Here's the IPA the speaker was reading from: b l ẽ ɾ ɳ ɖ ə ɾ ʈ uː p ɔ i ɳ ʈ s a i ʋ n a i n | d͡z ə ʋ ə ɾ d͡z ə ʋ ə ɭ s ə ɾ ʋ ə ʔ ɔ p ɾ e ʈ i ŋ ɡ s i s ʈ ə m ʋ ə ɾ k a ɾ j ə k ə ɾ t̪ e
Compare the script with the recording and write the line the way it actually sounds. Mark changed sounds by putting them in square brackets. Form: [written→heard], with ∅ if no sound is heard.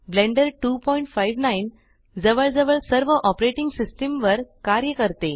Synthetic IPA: b l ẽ [ɾ→∅] ɳ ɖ ə ɾ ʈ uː p ɔ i ɳ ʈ [s→f] a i ʋ n a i n | d͡z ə ʋ ə [ɾ→ɭ] d͡z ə ʋ ə ɭ s ə ɾ ʋ ə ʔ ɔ p ɾ e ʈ i ŋ ɡ s i s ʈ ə m ʋ ə ɾ k a ɾ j ə k ə ɾ t̪ e